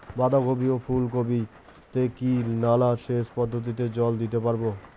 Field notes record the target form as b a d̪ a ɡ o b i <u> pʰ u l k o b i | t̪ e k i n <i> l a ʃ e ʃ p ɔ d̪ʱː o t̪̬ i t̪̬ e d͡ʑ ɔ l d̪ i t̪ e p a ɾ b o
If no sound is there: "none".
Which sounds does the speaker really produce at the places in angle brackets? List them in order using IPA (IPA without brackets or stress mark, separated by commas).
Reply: o, a